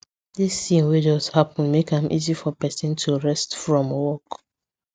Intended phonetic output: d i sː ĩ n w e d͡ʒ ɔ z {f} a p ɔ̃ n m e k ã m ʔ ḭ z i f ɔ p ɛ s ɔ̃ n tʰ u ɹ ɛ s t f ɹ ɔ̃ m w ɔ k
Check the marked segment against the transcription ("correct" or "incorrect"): incorrect